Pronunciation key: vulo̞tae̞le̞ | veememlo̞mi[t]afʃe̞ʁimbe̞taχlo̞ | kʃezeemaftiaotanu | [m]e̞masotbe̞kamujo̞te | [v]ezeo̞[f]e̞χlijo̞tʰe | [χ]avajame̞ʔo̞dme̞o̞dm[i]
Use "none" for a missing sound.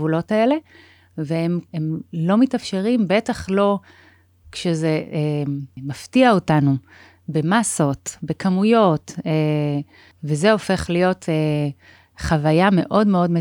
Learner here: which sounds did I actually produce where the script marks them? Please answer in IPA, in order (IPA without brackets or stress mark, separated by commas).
t, b, v, f, χ, e